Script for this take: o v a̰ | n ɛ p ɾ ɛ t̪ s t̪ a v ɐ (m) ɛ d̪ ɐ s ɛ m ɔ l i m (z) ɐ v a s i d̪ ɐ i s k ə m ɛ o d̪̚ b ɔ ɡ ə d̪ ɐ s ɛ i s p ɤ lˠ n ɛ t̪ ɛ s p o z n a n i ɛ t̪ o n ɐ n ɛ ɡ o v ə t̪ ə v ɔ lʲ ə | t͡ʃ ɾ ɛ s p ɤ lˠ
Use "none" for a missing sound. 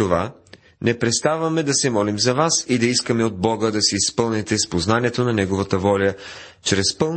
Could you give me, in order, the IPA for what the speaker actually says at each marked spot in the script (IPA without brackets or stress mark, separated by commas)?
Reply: m, z